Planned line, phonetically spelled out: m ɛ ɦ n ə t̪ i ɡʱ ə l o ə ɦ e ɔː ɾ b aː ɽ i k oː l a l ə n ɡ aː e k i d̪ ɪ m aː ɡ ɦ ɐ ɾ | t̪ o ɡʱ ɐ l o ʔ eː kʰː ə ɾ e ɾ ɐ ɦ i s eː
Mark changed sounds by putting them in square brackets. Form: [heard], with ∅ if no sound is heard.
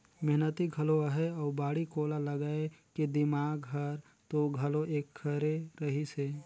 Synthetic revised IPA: m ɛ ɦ n ə t̪ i ɡʱ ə l o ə ɦ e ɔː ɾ b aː ɽ i k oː l a l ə [∅] ɡ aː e k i d̪ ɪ m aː ɡ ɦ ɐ ɾ | t̪ o ɡʱ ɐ l o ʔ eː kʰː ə ɾ e ɾ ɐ ɦ i s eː